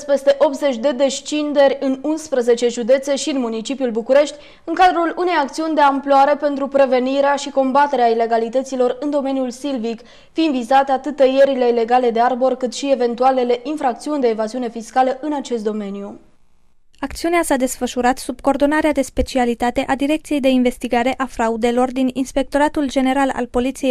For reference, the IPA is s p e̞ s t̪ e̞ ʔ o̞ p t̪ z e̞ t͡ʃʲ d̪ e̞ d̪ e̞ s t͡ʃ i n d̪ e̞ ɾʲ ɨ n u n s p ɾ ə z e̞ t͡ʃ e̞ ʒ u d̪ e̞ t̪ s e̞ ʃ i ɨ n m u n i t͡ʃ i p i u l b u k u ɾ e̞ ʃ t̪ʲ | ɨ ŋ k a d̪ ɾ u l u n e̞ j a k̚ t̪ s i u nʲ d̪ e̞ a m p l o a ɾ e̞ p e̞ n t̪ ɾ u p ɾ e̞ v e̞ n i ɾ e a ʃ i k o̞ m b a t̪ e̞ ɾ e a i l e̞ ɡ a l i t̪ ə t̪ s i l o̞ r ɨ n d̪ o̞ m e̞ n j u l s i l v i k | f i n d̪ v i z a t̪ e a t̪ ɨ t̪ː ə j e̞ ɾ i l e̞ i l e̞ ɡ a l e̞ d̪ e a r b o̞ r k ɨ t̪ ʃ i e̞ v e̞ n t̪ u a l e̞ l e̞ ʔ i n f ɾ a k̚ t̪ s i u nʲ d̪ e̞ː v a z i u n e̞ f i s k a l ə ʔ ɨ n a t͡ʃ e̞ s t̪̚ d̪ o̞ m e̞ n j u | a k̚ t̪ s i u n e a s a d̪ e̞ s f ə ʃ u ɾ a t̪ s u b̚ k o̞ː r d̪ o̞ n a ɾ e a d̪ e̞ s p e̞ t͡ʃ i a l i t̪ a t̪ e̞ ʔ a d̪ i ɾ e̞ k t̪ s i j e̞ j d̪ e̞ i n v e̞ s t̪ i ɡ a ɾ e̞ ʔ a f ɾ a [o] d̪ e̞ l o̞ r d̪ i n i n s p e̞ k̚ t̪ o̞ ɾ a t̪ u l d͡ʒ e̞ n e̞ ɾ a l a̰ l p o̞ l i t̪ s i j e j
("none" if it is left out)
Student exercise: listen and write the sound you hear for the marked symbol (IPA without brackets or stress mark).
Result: u